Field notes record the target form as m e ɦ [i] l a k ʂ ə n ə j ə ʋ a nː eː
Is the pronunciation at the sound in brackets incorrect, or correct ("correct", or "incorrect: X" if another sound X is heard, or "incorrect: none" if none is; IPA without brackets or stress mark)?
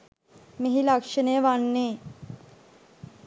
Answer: correct